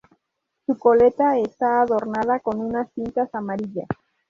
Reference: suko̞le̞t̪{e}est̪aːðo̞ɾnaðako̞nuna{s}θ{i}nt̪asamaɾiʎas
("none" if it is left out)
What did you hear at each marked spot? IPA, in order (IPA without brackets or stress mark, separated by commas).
a, s, i